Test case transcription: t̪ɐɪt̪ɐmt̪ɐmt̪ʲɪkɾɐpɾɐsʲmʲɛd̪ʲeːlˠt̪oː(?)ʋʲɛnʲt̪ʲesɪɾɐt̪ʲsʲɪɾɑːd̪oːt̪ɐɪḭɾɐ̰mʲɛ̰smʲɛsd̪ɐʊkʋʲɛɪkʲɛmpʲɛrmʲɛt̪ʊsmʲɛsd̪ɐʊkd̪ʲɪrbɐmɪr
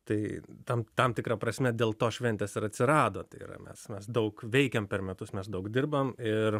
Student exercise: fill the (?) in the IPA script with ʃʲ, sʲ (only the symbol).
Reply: ʃʲ